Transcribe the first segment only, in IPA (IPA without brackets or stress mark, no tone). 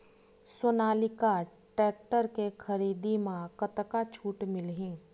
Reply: s